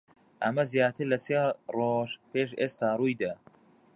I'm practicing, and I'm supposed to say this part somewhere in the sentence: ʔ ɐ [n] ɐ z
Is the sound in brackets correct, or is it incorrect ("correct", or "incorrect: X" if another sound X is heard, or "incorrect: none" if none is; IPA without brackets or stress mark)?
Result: incorrect: m